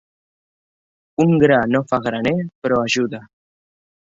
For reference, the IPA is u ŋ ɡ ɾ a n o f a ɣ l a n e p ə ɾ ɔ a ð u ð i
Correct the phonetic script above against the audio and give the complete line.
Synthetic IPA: u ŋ ɡ ɾ a n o f a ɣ ɾ a n e p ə ɾ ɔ a ʒ u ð a